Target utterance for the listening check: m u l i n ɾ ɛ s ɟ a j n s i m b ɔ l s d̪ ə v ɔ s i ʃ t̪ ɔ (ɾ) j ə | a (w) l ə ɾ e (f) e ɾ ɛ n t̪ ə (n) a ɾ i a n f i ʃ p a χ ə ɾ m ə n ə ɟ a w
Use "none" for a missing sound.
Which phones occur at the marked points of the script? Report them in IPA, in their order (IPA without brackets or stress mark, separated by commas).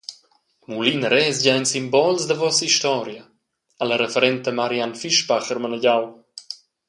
ɾ, none, f, m